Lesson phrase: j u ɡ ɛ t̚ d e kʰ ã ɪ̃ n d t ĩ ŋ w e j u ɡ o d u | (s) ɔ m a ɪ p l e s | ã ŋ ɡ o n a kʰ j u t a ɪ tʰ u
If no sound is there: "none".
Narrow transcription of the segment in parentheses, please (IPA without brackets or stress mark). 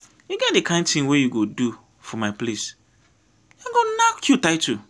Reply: f